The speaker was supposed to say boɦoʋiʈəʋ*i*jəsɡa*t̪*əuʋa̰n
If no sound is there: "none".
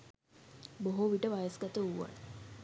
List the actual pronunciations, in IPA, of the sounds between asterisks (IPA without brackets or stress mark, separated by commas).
a, t̪